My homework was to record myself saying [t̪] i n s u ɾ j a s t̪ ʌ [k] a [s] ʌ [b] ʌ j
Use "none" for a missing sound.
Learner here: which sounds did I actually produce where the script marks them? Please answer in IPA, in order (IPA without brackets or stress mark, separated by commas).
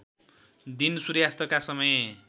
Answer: d̪, k, s, m